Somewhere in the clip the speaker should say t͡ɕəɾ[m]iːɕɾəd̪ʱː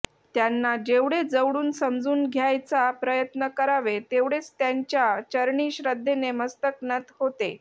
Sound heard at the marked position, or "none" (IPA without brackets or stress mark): ɳ